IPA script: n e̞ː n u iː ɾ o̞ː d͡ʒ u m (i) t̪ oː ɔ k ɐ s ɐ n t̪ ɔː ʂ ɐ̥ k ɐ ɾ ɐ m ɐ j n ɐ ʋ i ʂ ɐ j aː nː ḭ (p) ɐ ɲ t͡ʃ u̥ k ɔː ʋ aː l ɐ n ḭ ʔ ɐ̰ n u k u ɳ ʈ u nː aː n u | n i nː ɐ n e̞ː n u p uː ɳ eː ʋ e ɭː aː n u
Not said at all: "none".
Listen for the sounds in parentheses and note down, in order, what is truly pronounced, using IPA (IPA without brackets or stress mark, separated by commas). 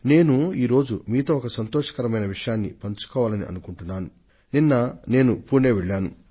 iː, p